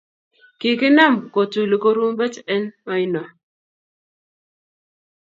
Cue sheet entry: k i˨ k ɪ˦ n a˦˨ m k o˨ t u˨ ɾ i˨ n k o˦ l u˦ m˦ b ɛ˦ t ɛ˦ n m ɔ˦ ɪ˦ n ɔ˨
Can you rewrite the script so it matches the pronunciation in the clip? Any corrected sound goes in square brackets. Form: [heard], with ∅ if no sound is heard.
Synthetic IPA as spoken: k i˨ k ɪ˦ n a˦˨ m k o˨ t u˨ [l] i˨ [∅] k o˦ [ɾ] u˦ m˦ b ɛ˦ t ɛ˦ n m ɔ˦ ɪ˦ n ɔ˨

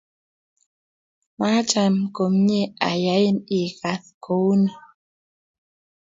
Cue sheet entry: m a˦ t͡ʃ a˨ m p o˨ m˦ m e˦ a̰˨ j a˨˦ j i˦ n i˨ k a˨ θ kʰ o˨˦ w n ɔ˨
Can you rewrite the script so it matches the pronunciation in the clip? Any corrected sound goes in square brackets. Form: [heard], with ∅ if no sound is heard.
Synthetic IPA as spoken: m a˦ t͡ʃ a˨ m [k] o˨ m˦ [ɲ] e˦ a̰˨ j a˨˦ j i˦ n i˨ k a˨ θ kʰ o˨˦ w n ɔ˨

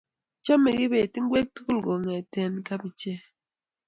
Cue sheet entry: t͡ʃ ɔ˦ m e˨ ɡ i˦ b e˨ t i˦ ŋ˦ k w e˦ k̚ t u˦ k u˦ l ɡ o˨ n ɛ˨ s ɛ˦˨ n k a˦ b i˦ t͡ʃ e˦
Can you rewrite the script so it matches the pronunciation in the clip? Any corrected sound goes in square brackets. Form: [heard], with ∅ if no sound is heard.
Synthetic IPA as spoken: t͡ʃ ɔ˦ m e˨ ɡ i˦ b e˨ t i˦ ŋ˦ [ɡ] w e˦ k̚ t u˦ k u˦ l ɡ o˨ [ŋ] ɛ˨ [t] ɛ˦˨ n k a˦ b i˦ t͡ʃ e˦

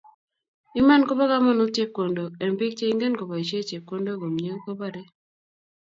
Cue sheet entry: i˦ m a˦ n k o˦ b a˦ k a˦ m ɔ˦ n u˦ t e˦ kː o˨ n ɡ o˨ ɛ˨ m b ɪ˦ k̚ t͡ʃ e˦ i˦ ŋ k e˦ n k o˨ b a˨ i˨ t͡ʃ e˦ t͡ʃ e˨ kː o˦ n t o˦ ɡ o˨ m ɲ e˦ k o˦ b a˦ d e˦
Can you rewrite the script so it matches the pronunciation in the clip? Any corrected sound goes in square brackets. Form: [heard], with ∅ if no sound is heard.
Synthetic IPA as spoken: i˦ m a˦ n k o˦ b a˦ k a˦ m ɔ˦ n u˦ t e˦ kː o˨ n [d] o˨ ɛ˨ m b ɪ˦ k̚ t͡ʃ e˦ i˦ ŋ [ɡ] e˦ n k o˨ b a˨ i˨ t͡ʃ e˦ t͡ʃ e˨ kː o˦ n [d] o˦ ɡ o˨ m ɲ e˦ k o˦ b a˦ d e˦

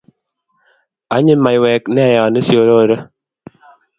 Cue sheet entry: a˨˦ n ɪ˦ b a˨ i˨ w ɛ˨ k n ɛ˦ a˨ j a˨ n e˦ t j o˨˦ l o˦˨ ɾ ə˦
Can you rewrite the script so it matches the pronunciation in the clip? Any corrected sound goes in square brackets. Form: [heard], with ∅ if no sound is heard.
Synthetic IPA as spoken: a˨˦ [ɲ] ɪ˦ [m] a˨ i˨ w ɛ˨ k n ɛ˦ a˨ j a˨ n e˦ [s] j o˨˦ [ɾ] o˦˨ ɾ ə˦

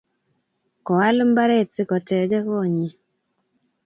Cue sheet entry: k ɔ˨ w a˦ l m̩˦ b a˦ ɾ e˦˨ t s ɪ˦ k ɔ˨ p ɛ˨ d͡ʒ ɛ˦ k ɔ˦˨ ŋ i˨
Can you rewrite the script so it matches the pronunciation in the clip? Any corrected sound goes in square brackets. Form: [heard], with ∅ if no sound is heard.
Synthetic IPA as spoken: k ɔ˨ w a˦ l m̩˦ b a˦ ɾ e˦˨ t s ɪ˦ k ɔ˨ [t] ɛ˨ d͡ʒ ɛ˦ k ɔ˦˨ [ɲ] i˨

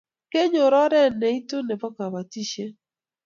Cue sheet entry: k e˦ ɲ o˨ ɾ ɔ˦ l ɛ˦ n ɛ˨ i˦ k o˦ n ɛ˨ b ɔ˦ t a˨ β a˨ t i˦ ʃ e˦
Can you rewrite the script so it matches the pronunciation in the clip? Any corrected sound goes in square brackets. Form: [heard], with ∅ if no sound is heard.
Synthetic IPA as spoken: k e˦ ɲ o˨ ɾ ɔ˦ [ɾ] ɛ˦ n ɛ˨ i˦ [t] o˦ n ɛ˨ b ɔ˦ [k] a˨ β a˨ t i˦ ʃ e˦

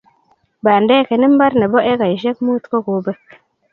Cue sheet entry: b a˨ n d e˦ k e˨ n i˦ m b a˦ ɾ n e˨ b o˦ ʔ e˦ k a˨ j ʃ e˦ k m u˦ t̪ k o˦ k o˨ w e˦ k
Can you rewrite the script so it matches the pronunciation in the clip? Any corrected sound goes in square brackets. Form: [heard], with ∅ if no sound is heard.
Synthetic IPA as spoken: b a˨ n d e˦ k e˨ n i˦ m b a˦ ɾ n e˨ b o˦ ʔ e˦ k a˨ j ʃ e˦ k m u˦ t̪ k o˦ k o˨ [b] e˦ k

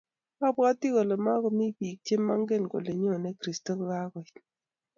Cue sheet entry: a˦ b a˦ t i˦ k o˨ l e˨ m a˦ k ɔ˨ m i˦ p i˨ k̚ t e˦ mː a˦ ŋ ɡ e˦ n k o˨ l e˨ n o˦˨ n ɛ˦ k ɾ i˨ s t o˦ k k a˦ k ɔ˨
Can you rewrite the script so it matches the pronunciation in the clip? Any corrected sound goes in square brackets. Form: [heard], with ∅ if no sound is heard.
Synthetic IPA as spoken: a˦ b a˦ t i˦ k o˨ l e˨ m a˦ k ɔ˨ m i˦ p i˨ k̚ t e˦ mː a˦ ŋ ɡ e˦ n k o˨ l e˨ [ɲ] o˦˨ n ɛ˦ k ɾ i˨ s t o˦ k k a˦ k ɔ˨

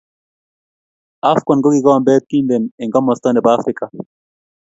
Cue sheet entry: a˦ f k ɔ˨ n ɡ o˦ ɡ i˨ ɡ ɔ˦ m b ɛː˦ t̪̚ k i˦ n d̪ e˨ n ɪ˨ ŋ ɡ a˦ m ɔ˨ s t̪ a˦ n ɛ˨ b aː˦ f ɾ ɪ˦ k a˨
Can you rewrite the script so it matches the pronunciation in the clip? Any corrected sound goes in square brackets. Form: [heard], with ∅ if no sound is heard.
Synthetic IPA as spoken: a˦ f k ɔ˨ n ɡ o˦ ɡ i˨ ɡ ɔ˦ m b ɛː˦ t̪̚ k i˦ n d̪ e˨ n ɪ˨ ŋ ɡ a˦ m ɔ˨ s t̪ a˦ n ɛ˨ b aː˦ f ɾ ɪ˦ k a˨

